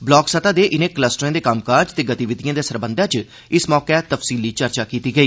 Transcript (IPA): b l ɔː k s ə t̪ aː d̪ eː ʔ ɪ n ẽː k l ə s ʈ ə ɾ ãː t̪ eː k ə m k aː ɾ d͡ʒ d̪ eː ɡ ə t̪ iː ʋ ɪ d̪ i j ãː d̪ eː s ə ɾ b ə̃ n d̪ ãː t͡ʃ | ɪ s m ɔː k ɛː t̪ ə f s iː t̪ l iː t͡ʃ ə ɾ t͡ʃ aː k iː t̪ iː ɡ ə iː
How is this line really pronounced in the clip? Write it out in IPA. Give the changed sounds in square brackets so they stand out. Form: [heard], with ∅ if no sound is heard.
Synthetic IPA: b l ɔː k s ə t̪ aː d̪ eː ʔ ɪ n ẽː k l ə s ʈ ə ɾ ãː [d̪] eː k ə m k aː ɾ d͡ʒ [t̪] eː ɡ ə t̪ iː ʋ ɪ d̪ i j ãː d̪ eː s ə ɾ b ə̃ n d̪ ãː t͡ʃ | ɪ s m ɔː k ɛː t̪ ə f s iː [∅] l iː t͡ʃ ə ɾ t͡ʃ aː k iː t̪ iː ɡ ə iː